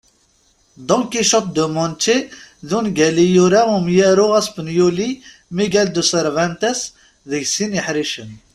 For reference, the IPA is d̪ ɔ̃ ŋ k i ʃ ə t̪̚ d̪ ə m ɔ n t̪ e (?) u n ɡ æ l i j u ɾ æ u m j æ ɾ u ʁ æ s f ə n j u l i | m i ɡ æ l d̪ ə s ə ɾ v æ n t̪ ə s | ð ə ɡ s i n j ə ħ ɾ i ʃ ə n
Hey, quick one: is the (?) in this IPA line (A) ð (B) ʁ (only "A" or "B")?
A